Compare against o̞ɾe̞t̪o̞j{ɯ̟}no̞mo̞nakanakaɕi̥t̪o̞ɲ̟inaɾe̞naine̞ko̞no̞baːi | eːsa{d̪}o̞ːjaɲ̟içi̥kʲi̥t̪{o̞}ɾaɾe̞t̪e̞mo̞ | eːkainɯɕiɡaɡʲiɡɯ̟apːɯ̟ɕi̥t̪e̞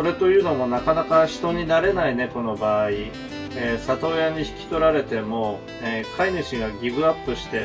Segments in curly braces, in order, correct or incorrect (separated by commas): incorrect, incorrect, correct